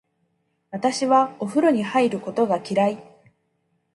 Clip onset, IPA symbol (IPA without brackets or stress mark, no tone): β